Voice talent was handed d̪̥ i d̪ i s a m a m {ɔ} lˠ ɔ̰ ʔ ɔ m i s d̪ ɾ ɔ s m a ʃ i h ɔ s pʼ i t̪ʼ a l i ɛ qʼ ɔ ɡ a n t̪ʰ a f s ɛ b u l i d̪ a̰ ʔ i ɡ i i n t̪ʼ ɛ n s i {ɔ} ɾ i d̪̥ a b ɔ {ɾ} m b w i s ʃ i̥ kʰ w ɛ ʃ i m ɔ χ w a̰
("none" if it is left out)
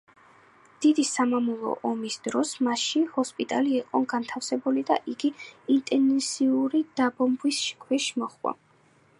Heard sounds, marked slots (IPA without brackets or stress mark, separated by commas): u, u, none